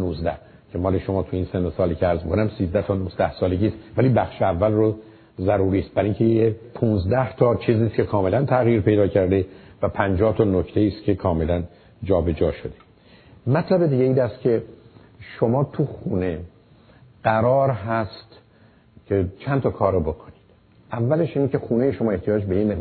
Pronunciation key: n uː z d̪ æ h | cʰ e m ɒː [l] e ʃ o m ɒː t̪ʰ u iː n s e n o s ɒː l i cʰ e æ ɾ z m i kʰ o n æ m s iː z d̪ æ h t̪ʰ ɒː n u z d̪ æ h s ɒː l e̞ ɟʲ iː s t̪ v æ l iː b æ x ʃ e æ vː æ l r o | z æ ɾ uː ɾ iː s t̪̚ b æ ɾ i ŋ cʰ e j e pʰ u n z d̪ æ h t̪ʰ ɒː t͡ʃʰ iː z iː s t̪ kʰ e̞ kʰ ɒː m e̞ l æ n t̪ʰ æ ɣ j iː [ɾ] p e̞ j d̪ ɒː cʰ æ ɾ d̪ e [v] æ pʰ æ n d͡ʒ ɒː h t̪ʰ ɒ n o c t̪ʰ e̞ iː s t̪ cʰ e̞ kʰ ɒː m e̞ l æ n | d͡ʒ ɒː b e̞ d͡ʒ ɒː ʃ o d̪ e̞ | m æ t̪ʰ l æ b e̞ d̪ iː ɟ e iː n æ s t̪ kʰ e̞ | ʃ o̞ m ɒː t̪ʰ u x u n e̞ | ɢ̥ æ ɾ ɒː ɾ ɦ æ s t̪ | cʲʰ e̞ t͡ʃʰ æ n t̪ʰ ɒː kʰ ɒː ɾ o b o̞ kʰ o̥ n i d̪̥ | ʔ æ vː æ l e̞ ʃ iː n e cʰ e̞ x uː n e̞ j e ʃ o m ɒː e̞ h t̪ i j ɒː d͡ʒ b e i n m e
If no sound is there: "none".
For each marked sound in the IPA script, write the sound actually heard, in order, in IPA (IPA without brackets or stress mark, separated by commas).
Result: l, ɾ, v